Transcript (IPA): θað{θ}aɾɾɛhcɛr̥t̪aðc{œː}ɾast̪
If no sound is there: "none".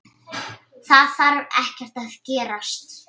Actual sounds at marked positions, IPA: θ, ɛː

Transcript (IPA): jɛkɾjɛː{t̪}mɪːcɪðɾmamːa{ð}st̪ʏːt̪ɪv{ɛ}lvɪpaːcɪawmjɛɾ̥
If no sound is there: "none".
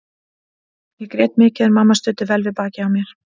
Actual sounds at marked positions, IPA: t̪, none, ɛ

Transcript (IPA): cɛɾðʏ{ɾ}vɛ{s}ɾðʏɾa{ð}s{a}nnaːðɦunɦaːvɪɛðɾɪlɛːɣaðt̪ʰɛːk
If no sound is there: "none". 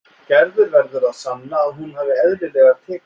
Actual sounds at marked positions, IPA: ɾ, none, ð, a

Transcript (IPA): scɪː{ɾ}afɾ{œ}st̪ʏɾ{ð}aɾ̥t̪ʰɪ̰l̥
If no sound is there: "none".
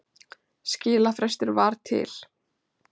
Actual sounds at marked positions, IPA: l, ɛ, v

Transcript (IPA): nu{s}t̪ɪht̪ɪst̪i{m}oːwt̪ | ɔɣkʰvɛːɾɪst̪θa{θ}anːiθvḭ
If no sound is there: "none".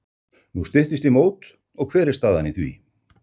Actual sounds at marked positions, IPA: s, m, ð

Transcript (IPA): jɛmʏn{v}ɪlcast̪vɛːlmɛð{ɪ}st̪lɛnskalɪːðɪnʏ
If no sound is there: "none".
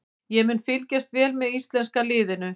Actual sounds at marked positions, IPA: f, i

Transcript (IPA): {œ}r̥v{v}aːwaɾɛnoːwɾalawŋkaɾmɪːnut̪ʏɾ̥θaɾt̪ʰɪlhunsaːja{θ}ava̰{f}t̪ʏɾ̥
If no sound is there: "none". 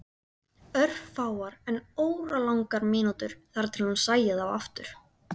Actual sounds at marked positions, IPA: œ, f, ð, f

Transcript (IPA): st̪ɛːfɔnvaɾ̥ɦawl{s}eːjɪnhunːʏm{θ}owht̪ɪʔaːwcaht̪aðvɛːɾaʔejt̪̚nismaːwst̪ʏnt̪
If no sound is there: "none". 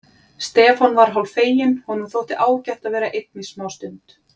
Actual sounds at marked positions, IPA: f, θ

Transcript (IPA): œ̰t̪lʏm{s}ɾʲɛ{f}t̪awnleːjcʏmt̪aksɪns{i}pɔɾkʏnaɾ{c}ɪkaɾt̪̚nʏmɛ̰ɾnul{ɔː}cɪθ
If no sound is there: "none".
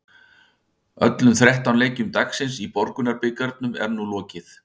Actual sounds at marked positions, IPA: θ, h, i, p, ɔː

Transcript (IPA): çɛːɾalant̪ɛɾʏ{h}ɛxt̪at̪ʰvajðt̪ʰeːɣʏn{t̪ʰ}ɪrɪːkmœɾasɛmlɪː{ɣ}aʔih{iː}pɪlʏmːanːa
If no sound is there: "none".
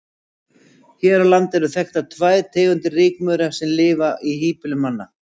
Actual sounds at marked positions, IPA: θ, t̪, v, iː

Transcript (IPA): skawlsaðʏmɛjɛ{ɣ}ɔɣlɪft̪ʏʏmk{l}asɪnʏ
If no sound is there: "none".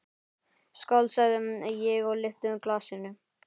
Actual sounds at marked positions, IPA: ɣ, l

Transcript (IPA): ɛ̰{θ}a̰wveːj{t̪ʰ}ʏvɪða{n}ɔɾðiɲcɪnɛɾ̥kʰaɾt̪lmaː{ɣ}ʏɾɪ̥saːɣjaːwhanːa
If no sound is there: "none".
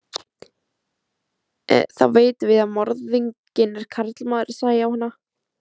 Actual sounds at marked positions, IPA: θ, t̪, m, ð

